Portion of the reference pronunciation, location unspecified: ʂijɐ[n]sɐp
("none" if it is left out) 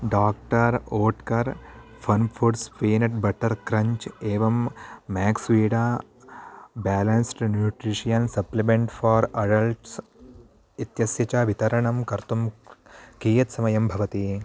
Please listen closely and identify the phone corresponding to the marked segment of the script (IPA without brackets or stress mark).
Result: n